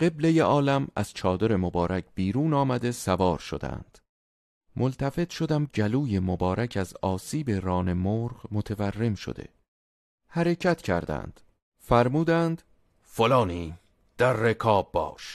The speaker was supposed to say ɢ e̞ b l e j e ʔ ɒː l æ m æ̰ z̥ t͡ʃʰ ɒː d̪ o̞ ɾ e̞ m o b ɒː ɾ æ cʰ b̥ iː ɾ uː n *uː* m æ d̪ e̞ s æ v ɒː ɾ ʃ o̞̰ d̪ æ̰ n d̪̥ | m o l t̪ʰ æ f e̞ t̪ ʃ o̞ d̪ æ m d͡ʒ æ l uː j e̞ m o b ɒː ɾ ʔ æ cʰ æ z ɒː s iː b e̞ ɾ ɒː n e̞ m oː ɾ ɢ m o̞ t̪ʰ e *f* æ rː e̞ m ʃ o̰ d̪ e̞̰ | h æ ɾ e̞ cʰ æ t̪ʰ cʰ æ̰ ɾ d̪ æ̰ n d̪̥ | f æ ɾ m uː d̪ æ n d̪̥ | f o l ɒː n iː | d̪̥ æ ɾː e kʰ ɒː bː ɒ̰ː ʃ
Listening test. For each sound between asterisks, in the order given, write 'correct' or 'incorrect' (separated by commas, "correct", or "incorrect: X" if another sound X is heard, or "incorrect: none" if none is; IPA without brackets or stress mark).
incorrect: ɒː, incorrect: v